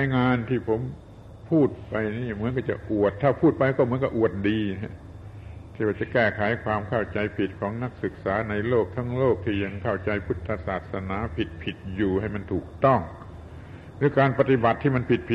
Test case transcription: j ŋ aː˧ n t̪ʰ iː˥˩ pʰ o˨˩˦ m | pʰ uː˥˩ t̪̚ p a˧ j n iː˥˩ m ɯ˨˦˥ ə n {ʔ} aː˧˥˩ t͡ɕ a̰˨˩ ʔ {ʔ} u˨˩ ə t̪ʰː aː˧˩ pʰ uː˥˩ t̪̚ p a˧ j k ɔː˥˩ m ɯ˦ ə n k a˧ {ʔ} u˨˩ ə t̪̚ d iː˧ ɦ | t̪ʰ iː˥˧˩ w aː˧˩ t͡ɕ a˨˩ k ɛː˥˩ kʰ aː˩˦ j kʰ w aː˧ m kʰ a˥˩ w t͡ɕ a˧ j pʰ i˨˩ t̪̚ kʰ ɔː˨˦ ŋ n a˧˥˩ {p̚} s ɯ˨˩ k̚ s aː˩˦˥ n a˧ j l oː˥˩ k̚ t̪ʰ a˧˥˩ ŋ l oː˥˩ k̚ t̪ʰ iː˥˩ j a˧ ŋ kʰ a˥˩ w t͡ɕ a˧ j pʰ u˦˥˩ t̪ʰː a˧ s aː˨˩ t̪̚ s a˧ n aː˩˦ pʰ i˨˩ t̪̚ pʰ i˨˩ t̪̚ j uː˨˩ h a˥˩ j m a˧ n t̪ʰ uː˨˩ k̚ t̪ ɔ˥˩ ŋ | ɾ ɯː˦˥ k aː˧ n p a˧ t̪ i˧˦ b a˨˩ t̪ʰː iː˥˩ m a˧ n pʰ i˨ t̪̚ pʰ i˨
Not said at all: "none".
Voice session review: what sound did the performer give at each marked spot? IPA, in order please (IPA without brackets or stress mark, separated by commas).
k, ʔ, ʔ, k̚